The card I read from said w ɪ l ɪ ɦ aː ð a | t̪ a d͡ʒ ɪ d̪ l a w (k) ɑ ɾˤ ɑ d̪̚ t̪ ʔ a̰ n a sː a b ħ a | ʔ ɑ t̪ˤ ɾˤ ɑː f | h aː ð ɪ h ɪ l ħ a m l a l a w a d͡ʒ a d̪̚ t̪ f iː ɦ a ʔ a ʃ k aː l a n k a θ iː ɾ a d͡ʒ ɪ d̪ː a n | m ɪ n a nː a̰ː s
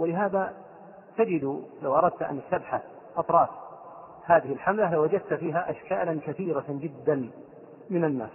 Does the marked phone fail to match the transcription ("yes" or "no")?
yes